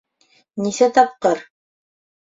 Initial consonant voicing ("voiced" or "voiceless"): voiced